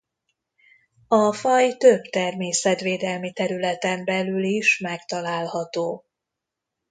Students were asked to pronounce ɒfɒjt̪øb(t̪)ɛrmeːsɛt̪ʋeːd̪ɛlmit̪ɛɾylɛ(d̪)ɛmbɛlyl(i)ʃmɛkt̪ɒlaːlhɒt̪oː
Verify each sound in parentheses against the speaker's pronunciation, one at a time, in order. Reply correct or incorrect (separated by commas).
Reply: correct, incorrect, correct